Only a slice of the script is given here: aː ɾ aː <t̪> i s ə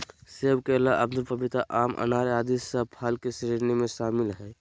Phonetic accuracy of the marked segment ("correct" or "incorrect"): incorrect